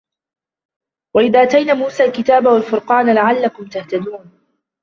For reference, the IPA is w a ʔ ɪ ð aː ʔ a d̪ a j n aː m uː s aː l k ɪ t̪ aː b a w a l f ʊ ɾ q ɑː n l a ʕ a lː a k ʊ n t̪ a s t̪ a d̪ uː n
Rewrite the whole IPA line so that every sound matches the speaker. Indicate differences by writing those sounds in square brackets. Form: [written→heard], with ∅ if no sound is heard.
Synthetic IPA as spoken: w a ʔ ɪ ð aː ʔ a [d̪→t̪] a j n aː m uː s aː l k ɪ t̪ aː b a w a l f ʊ ɾ q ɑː n l a ʕ a lː a k ʊ [n→m] t̪ a [s→h] t̪ a d̪ uː n